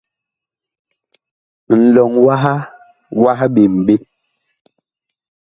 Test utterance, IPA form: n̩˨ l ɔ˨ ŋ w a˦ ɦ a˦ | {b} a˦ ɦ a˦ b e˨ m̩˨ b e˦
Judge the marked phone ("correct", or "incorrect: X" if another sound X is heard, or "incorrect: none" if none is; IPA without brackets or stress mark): incorrect: w